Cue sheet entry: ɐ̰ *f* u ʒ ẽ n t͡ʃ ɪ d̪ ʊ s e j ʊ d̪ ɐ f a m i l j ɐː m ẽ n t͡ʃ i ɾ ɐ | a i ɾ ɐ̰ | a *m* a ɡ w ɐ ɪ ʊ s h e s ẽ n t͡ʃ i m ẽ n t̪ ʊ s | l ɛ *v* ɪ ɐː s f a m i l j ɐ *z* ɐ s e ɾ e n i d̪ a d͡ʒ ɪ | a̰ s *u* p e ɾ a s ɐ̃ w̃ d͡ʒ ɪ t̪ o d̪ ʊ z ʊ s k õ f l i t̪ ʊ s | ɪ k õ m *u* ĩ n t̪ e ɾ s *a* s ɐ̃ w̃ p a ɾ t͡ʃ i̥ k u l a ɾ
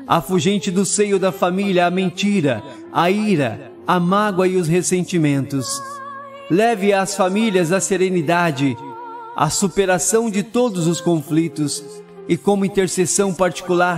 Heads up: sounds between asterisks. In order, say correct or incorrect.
correct, correct, correct, correct, correct, incorrect, incorrect

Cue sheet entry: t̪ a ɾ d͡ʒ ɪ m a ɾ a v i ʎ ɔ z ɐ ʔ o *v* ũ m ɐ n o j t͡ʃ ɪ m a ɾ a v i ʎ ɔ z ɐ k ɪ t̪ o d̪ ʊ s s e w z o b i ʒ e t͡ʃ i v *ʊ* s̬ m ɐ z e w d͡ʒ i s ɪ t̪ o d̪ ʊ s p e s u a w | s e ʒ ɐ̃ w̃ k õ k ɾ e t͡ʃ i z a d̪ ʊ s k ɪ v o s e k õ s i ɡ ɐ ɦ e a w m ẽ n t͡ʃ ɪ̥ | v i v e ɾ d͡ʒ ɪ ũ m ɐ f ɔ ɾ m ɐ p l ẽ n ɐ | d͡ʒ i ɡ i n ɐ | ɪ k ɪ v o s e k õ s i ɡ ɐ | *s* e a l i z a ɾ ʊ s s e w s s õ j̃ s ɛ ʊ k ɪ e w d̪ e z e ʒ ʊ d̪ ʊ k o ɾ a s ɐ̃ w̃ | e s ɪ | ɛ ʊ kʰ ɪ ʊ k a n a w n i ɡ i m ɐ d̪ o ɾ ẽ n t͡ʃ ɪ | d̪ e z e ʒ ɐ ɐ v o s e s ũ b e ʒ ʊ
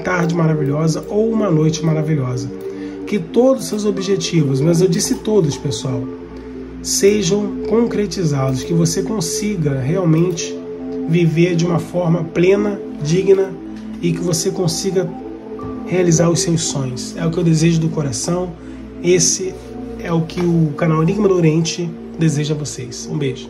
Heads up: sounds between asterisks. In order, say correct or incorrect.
incorrect, correct, incorrect

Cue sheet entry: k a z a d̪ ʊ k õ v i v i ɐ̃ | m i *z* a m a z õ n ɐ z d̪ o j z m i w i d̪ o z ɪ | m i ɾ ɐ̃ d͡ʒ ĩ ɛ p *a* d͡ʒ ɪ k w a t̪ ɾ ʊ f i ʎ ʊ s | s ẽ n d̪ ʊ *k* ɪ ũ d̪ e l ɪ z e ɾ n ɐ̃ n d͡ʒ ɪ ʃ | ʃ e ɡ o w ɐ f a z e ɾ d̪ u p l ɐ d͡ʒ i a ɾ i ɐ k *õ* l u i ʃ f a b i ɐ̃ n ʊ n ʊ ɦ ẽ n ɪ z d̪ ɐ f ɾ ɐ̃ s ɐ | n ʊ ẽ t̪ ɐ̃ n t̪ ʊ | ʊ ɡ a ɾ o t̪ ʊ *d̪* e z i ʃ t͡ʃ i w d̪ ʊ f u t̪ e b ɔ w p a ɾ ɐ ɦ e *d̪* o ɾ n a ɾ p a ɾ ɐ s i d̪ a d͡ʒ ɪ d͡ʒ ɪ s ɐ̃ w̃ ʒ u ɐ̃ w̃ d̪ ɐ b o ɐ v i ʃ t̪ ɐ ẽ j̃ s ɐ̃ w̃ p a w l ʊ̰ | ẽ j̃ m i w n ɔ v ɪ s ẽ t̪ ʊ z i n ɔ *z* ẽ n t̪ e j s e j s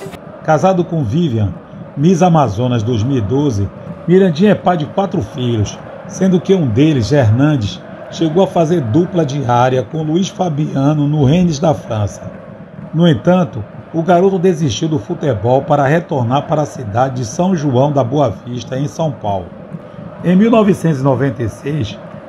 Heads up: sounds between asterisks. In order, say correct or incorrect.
correct, correct, correct, correct, correct, incorrect, incorrect

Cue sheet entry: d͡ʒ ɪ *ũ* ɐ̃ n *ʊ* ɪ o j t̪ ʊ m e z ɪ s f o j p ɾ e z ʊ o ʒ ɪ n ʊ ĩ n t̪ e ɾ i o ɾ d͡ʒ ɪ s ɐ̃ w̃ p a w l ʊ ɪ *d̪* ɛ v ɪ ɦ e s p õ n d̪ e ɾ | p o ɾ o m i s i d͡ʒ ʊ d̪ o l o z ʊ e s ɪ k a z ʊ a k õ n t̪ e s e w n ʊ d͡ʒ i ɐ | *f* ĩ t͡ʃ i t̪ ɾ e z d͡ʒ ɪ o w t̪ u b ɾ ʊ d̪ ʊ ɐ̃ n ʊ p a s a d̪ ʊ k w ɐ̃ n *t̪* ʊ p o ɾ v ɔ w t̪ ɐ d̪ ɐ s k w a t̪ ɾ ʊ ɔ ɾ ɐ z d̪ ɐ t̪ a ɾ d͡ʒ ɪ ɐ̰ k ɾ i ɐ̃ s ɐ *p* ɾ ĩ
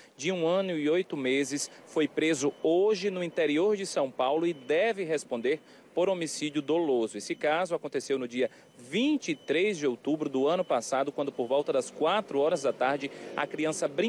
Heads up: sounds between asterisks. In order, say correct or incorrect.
correct, correct, correct, incorrect, incorrect, incorrect

